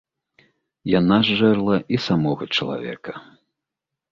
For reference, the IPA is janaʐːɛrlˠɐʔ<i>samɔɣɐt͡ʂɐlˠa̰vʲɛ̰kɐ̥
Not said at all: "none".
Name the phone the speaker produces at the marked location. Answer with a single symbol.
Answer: i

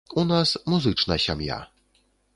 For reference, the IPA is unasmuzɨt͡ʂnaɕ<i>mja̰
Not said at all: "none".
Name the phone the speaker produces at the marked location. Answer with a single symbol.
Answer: a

